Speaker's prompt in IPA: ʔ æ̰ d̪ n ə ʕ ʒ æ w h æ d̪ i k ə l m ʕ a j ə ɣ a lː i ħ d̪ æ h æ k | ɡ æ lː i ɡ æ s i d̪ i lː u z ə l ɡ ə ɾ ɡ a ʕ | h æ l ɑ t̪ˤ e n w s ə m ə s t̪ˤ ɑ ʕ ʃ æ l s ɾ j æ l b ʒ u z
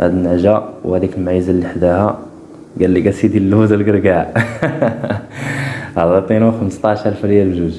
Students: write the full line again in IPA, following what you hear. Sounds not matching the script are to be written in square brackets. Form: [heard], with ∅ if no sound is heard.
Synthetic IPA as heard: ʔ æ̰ d̪ n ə ʕ ʒ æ w h æ d̪ i k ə l m ʕ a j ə [z] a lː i ħ d̪ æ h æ [∅] | ɡ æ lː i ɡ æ s i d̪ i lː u z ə l ɡ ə ɾ ɡ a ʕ | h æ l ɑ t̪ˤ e n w [x] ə m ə s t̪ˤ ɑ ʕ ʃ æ l [f] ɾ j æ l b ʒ u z